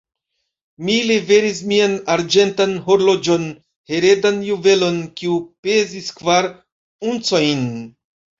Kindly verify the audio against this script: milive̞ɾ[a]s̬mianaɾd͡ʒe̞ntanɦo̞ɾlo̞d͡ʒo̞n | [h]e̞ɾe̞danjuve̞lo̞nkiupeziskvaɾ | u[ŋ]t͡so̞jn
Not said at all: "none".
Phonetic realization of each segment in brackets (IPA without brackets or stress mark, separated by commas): i, h, n